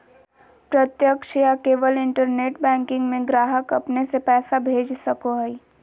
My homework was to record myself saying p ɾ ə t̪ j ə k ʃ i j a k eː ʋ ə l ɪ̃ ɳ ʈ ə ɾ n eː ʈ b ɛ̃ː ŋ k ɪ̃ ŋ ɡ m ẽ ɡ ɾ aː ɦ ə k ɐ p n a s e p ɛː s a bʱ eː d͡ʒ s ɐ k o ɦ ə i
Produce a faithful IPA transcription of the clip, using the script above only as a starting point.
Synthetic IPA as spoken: p ɾ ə t̪ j ə k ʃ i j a k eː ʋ ə l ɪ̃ ɳ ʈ ə ɾ n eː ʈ b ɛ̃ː ŋ k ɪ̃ ŋ ɡ m ẽ ɡ ɾ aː ɦ ə k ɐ p n e s e p ɛː s a bʱ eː d͡ʒ s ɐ k o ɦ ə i